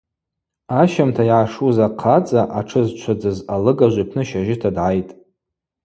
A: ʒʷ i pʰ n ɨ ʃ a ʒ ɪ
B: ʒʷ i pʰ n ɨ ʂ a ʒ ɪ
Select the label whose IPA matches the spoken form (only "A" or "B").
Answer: A